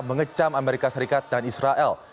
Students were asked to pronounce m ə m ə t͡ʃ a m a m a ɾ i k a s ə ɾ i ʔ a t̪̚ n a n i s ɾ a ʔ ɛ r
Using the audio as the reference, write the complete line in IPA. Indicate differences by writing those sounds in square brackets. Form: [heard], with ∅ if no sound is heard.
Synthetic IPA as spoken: m ə [ŋ] ə t͡ʃ a m a m [e] ɾ i k a s ə ɾ i [k] a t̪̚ [d] a n i s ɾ a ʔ ɛ [l]